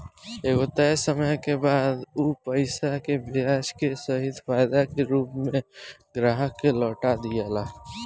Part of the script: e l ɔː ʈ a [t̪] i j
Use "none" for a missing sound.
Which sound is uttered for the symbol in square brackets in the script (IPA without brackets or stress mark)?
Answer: d̪